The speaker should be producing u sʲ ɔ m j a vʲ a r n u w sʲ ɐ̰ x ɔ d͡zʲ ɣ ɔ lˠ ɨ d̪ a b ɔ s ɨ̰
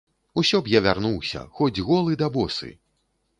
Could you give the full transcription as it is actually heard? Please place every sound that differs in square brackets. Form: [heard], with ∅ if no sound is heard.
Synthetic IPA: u sʲ ɔ [b] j a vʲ a r n u w sʲ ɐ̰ x ɔ d͡zʲ ɣ ɔ lˠ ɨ d̪ a b ɔ s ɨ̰